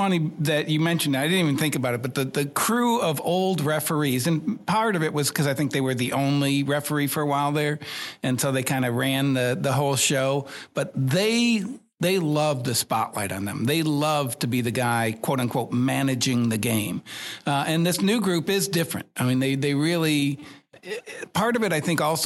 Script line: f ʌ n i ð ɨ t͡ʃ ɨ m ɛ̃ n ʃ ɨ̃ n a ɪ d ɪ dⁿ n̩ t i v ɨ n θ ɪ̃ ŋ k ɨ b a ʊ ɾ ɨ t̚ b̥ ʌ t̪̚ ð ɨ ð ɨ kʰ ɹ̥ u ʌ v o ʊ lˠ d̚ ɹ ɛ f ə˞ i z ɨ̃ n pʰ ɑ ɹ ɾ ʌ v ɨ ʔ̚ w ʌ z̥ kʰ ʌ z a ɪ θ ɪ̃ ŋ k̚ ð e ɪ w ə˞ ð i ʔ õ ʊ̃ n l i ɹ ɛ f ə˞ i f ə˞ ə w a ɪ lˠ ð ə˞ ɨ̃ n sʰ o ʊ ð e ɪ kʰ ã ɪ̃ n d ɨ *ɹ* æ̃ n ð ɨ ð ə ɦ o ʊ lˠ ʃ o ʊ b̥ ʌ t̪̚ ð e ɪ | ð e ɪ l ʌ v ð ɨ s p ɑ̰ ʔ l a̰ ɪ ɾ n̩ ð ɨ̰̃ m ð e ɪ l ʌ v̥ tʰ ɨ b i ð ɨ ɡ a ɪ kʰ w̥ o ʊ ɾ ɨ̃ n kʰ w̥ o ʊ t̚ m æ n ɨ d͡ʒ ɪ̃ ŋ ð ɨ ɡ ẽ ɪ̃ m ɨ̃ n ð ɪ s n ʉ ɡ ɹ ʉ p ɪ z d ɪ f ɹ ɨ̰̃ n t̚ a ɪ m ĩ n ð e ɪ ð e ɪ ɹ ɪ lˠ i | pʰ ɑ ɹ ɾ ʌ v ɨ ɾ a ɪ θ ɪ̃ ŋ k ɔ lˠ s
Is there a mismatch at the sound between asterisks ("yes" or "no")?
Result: no